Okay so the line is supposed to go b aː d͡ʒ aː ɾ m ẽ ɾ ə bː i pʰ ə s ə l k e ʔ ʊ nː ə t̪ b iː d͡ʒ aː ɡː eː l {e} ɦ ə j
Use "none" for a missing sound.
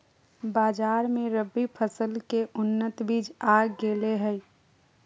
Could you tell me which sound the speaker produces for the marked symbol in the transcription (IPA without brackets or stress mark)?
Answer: e